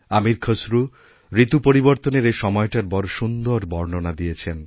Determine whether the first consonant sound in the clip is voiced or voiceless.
voiced